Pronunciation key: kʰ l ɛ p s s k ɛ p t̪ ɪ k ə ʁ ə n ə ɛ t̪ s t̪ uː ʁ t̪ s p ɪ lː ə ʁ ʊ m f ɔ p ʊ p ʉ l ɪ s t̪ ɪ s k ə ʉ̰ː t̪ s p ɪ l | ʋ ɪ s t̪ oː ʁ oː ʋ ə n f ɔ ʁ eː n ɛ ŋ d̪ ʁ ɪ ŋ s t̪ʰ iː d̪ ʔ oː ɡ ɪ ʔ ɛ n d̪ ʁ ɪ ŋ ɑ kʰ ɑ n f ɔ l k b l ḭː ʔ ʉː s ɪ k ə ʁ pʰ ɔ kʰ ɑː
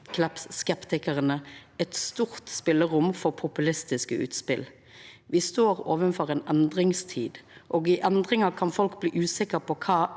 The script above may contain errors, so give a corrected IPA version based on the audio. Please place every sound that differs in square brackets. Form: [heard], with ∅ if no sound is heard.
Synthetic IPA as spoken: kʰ l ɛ p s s k ɛ p t̪ ɪ k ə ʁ ə n ə ɛ t̪ s t̪ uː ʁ t̪ s p ɪ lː ə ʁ ʊ m f ɔ [pʰ] ʊ p ʉ l ɪ s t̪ ɪ s k ə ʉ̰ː t̪ s p ɪ l | ʋ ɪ s t̪ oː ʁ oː ʋ ə n f ɔ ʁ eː n ɛ [n] d̪ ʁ ɪ ŋ s t̪ʰ iː d̪ ʔ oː ɡ ɪ ʔ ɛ n d̪ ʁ ɪ ŋ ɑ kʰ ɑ n f ɔ l k b l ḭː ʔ ʉː s ɪ k ə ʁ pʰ ɔ kʰ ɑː